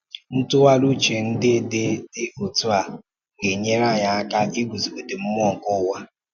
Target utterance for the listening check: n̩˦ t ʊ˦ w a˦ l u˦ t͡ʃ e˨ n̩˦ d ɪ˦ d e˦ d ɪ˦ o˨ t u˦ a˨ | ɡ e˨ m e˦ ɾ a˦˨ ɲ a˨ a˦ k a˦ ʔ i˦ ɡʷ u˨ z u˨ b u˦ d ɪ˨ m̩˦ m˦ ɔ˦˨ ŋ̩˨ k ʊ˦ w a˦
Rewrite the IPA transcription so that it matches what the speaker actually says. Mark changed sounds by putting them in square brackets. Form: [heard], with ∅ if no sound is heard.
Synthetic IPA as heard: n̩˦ t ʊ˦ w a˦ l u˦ t͡ʃ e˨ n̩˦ d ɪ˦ d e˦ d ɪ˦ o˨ t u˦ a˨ | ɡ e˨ [ɲ] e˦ ɾ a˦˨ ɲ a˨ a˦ k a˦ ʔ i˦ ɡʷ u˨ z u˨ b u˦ d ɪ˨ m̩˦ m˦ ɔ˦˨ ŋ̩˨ k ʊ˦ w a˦

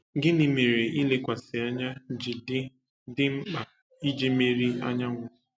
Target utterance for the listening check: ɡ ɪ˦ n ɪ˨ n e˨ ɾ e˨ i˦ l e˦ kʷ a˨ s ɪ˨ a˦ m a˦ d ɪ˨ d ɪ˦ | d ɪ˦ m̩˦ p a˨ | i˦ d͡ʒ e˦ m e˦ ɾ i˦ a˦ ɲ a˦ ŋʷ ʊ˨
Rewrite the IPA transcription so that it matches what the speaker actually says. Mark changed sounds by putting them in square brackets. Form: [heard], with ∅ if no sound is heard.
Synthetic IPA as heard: ɡ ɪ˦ n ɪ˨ [m] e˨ ɾ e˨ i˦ l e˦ kʷ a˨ s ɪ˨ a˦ [ɲ] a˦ [d͡ʒ] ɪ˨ d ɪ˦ | d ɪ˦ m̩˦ [k͡p] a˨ | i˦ d͡ʒ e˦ m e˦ ɾ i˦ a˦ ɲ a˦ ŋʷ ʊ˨

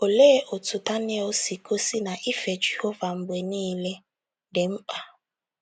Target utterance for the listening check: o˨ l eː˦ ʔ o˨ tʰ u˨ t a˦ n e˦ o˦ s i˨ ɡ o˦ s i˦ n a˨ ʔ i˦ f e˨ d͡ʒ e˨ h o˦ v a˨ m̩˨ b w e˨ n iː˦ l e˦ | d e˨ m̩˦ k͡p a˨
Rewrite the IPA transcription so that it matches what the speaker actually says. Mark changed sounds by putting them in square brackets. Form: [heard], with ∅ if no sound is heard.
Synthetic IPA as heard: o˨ l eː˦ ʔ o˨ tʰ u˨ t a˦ n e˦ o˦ s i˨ [k] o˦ s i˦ n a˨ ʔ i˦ f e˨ d͡ʒ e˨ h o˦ v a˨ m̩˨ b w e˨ n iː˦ l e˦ | d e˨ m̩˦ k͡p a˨

